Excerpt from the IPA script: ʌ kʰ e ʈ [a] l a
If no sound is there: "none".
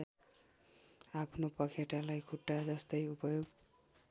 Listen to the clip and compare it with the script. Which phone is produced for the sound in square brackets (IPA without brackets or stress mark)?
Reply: a